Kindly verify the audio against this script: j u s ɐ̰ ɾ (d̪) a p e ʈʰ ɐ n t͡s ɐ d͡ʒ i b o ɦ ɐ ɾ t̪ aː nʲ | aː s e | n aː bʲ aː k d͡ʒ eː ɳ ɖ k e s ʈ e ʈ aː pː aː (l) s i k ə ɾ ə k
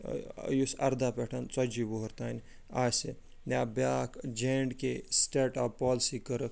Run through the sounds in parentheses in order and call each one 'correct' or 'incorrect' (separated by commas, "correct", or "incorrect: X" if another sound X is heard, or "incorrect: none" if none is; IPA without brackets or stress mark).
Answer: correct, correct